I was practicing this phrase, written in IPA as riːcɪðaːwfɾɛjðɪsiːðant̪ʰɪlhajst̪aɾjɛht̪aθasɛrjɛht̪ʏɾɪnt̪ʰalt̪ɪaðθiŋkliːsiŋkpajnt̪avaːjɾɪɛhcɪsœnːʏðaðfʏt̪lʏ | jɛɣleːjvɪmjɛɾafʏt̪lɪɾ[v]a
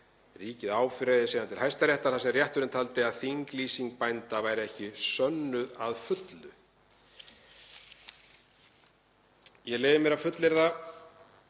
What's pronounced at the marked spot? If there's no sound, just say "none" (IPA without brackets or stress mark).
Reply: ð